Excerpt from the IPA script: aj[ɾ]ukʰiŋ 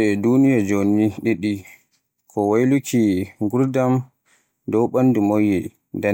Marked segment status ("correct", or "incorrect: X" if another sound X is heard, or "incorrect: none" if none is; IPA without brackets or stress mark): incorrect: l